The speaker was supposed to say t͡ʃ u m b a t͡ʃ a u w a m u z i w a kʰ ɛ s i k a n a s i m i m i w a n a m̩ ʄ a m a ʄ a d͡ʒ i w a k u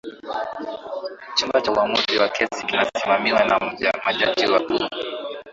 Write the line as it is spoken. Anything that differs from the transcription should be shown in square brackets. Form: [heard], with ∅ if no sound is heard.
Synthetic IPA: t͡ʃ u m b a t͡ʃ a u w a m u z i w a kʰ ɛ s i k [i] n a s i m [a] m i w a n a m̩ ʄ a m a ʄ a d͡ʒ i w a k u